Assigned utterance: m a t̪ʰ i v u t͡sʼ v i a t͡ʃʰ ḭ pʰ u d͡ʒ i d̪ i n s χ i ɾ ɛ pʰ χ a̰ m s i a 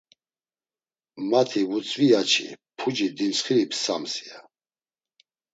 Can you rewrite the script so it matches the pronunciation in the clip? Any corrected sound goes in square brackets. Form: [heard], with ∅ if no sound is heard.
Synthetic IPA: m a t̪ʰ i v u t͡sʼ v i a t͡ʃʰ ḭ pʰ u d͡ʒ i d̪ i n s χ i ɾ [i] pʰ [s] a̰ m s i a